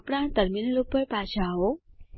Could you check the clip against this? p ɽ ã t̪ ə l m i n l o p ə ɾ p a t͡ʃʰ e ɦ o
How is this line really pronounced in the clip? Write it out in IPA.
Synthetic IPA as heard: p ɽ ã t̪ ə ɾ m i n l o p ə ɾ p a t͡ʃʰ a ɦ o